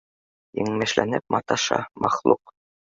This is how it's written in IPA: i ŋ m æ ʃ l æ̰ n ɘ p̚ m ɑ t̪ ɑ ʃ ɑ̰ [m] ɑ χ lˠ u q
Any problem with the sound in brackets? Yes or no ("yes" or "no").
no